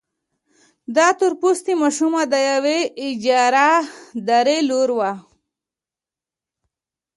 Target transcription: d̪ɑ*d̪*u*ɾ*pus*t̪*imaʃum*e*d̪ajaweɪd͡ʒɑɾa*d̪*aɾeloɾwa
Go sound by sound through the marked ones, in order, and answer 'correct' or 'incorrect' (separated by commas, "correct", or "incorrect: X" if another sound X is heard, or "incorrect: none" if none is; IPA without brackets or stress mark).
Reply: incorrect: t̪, correct, correct, incorrect: a, correct